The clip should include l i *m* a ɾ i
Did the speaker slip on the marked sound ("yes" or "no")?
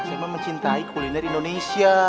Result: yes